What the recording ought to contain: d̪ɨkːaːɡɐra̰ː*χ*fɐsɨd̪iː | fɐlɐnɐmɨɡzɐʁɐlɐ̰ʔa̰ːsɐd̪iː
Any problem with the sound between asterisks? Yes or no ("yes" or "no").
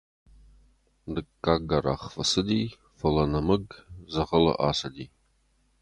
no